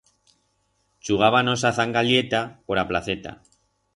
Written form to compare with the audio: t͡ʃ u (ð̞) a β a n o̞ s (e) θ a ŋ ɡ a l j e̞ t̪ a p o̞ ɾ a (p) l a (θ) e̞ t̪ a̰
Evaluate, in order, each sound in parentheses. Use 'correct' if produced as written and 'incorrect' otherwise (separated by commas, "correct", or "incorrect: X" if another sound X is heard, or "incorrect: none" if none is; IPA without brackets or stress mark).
incorrect: ɣ̞, incorrect: a, correct, correct